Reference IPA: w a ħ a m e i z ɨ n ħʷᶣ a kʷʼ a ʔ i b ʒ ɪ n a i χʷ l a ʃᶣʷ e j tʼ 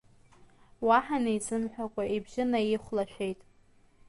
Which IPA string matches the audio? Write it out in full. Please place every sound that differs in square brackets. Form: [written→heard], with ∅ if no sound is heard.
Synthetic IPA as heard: w a ħ a [m→n] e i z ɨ [n→m] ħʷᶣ a kʷʼ a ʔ i b ʒ ɪ n a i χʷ l a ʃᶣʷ e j tʼ